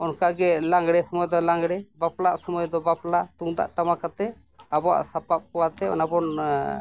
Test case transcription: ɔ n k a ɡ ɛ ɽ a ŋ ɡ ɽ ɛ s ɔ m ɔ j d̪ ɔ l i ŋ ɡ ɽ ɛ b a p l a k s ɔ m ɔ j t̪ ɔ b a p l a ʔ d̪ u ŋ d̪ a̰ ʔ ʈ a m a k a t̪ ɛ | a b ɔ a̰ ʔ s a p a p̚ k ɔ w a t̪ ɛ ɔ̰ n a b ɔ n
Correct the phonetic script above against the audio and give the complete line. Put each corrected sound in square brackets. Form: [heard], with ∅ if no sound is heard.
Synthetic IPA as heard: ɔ n k a ɡ ɛ [l] a ŋ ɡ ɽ ɛ s ɔ m ɔ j d̪ ɔ l [a] ŋ ɡ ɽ ɛ b a p l a [ʔ] s ɔ m ɔ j [d̪] ɔ b a p l a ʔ [t̪] u ŋ d̪ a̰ ʔ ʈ a m a k a t̪ ɛ | a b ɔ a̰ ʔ s a p a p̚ k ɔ w a t̪ ɛ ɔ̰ n a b ɔ n

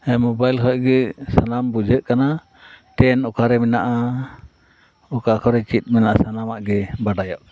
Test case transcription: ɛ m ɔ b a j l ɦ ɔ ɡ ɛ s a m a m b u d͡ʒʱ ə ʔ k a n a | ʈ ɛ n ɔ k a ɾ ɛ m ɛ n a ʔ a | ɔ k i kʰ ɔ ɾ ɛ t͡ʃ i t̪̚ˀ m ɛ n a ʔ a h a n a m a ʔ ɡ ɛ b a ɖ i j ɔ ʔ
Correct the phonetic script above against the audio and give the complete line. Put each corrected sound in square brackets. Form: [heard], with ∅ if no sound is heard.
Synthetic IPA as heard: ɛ m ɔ b a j l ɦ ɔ ɡ ɛ s a [n] a m b u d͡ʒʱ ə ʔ k a n a | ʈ ɛ n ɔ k a ɾ ɛ m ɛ n a ʔ a | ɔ k [a] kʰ ɔ ɾ ɛ t͡ʃ i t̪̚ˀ m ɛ n a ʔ a [s] a n a m a ʔ ɡ ɛ b a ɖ [a] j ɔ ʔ

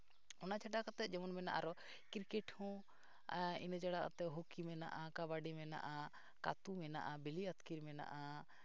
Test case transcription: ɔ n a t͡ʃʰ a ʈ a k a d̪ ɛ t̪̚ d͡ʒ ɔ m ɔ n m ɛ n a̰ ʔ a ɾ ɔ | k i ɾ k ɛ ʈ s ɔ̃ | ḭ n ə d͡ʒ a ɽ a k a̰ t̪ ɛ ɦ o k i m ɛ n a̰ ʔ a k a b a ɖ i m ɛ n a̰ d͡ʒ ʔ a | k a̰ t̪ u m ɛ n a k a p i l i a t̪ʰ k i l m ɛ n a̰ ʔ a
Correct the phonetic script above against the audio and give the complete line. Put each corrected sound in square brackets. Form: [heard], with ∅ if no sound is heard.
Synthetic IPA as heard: ɔ n a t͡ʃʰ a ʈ a k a [t̪] ɛ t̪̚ d͡ʒ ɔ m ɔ n m ɛ n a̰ ʔ a ɾ ɔ | k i ɾ k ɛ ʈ [h] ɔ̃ | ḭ n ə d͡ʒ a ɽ a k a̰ t̪ ɛ ɦ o k i m ɛ n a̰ ʔ a k a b a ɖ i m ɛ n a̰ [∅] ʔ a | k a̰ t̪ u m ɛ n a [ʔ] a [b] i l i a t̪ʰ k i [ɾ] m ɛ n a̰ ʔ a

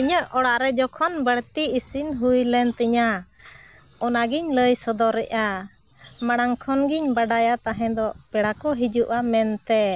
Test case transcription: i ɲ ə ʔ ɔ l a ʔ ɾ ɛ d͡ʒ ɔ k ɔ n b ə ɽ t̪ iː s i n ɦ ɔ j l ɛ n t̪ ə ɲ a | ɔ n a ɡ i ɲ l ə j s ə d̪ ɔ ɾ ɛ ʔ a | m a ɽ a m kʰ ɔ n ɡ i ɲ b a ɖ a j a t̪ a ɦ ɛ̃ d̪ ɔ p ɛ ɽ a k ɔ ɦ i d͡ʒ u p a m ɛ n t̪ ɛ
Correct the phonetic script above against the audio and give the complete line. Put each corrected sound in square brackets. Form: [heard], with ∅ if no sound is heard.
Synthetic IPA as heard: i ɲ ə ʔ ɔ [ɽ] a ʔ ɾ ɛ d͡ʒ ɔ [kʰ] ɔ n b ə ɽ t̪ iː s i n ɦ [u] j l ɛ n t̪ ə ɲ a | ɔ n a ɡ i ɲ l ə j s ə d̪ ɔ ɾ ɛ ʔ a | m a ɽ a [ŋ] kʰ ɔ n ɡ i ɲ b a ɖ a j a t̪ a ɦ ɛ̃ d̪ ɔ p ɛ ɽ a k ɔ ɦ i d͡ʒ u [ʔ] a m ɛ n t̪ ɛ

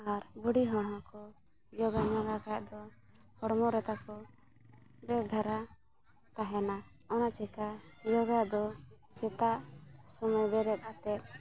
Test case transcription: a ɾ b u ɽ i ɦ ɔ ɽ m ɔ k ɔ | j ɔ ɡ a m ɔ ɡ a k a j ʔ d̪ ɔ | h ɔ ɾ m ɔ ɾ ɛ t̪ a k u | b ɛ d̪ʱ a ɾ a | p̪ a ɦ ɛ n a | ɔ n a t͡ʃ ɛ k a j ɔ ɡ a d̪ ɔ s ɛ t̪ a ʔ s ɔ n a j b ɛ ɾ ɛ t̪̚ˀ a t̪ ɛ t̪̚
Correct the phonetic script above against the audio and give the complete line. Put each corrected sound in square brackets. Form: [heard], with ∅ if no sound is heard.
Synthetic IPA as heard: a ɾ b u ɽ i ɦ ɔ ɽ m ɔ k ɔ | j ɔ ɡ a [ɲ] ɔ ɡ a k a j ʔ d̪ ɔ | h ɔ [ɽ] m ɔ ɾ ɛ t̪ a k [ɔ] | b ɛ d̪ʱ a ɾ a | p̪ a ɦ ɛ n a | ɔ n a t͡ʃ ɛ k a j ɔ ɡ a d̪ ɔ s ɛ t̪ a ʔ s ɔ [m] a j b ɛ ɾ ɛ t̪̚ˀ a t̪ ɛ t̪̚

